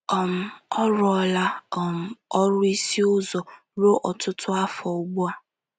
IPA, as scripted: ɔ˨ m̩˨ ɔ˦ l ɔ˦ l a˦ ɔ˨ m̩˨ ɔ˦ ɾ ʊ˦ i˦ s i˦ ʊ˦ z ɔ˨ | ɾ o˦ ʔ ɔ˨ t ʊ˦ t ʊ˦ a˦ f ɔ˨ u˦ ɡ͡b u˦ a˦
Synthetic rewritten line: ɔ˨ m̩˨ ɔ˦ ɾ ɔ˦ l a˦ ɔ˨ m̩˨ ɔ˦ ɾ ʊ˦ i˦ s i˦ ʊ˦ z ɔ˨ | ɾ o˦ ʔ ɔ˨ t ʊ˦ t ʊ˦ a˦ f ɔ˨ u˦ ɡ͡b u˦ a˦